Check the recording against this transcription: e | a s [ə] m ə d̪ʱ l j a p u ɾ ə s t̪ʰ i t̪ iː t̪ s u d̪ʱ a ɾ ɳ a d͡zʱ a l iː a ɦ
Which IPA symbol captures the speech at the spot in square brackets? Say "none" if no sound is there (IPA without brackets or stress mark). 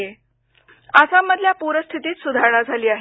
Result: a